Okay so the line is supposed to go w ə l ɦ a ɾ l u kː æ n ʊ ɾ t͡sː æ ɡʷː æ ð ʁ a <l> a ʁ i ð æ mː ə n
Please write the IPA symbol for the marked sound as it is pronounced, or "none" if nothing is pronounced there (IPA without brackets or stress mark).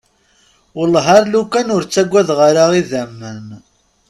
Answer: ɾ